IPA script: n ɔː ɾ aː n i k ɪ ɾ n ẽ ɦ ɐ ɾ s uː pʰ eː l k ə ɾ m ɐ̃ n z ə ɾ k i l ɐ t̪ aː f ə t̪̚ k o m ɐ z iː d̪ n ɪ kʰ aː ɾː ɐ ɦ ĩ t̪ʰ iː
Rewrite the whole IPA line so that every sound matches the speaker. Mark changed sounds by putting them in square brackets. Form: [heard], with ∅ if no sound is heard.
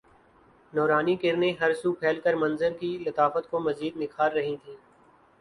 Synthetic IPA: n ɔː ɾ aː n i k ɪ ɾ n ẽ ɦ ɐ ɾ s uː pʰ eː l k ə ɾ m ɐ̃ n z ə ɾ k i l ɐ t̪ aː f ə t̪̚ k o m ɐ z iː d̪ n ɪ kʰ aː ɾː ɐ ɦ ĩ t̪ʰ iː